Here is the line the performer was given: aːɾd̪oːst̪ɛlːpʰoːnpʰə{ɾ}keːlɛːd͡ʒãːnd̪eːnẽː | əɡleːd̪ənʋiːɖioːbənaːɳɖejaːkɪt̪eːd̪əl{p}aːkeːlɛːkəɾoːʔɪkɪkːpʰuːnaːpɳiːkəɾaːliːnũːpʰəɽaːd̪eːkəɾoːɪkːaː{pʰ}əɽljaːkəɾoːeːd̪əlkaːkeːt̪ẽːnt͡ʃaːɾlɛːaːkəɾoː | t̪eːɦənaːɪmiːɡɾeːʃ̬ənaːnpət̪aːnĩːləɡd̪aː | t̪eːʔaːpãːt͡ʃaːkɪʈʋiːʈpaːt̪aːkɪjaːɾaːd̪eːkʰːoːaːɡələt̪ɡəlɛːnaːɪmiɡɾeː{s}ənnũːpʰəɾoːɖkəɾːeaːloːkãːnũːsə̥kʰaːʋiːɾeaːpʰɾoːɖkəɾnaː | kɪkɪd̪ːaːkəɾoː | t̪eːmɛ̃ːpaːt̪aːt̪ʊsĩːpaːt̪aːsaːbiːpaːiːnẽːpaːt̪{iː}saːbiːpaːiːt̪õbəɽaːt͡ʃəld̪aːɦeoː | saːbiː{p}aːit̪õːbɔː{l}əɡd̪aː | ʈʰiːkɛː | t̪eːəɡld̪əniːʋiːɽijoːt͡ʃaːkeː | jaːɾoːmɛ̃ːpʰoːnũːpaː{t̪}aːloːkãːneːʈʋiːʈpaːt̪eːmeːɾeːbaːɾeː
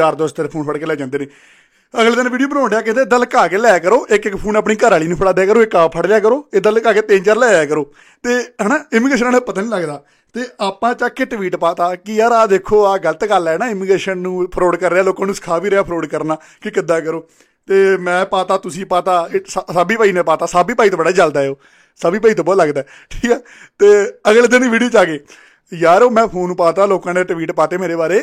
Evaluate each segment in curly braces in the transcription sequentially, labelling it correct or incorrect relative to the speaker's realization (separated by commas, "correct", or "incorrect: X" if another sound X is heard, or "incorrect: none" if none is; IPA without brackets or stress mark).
incorrect: ɽ, incorrect: k, correct, incorrect: ʃ, incorrect: aː, correct, correct, correct